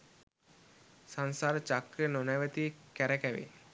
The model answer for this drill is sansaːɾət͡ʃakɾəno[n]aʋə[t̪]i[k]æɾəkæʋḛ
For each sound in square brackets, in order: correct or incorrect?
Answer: correct, correct, correct

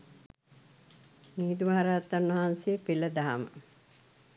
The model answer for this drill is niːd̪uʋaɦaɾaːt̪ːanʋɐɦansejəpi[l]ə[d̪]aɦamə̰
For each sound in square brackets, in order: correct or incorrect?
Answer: correct, correct

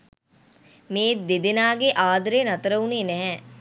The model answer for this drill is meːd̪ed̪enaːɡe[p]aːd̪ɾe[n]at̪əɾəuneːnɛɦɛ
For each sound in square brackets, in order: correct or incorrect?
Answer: incorrect: ʔ, correct

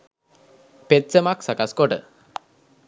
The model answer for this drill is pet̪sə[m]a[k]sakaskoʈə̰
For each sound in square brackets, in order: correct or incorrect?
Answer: correct, correct

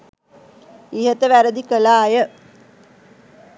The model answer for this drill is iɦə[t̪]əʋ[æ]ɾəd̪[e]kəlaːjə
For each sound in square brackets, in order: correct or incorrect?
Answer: correct, correct, incorrect: i

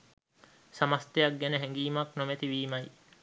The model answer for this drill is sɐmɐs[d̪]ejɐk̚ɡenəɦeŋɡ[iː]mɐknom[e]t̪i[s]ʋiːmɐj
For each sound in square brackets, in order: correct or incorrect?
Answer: incorrect: t̪, correct, correct, incorrect: none

